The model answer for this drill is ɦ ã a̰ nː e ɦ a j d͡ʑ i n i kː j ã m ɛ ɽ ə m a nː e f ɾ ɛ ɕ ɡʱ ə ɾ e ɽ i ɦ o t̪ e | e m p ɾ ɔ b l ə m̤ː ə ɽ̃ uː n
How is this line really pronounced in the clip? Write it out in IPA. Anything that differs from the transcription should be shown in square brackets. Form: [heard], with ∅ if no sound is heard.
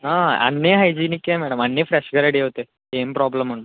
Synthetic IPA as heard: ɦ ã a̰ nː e ɦ a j d͡ʑ i n i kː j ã m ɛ ɽ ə m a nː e f ɾ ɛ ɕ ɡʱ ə ɾ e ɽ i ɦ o t̪ e | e m p ɾ ɔ b l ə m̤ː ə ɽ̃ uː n